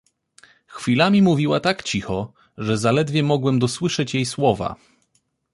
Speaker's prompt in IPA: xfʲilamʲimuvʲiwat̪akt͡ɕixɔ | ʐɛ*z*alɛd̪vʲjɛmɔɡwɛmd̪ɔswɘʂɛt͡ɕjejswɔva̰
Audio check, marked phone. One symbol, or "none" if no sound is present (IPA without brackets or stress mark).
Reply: z